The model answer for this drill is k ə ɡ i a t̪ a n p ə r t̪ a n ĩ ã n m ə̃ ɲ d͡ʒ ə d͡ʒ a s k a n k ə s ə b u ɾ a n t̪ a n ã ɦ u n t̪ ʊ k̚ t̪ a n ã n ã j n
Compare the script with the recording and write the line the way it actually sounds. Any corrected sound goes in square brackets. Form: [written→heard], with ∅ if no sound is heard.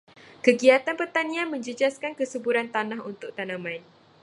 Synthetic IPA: k ə ɡ i a t̪ a n p ə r t̪ a n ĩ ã n m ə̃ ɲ d͡ʒ ə d͡ʒ a s k a n k ə s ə b u ɾ a n t̪ a n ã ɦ u n t̪ ʊ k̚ t̪ a n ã [n→m] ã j n